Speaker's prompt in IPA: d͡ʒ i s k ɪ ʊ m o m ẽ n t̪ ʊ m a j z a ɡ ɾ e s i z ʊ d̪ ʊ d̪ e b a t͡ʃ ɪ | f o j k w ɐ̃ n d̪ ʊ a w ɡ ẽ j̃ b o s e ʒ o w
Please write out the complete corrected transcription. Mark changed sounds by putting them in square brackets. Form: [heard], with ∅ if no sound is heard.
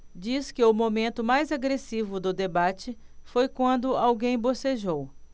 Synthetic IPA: d͡ʒ i s k ɪ ʊ m o m ẽ n t̪ ʊ m a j z a ɡ ɾ e s i [v] ʊ d̪ ʊ d̪ e b a t͡ʃ ɪ | f o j k w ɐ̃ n d̪ ʊ a w ɡ ẽ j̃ b o s e ʒ o w

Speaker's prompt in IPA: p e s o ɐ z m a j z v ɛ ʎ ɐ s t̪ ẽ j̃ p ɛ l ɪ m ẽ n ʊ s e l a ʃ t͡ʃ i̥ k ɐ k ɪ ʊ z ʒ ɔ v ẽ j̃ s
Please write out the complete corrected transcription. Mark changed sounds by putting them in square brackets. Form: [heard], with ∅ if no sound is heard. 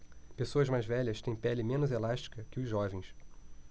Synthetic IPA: p e s o ɐ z m a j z v ɛ ʎ ɐ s t̪ ẽ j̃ p ɛ l ɪ m ẽ n ʊ [z] e l a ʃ t͡ʃ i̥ k ɐ k ɪ ʊ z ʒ ɔ v ẽ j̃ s

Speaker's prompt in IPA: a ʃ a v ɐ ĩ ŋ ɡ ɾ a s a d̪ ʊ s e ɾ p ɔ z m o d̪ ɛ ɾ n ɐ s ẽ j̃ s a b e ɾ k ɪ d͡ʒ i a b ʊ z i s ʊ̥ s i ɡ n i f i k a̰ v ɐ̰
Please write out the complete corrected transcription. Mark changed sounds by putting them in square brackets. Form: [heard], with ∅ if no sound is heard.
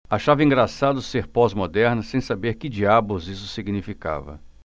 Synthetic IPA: a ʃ a v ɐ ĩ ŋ ɡ ɾ a s a d̪ ʊ s e ɾ p ɔ z m o d̪ ɛ ɾ n ɐ s ẽ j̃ s a b e ɾ k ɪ d͡ʒ i a b ʊ z i s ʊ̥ s i ɡ n i f i k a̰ v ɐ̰

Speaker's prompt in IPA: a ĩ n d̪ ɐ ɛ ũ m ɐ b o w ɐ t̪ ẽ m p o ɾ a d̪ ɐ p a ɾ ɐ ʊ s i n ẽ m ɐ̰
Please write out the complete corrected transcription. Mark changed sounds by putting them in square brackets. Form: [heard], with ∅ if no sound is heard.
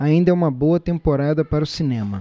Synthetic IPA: a ĩ n d̪ ɐ ɛ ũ m ɐ b o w ɐ t̪ ẽ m p o ɾ a d̪ ɐ p a ɾ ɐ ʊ s i n ẽ m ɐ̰

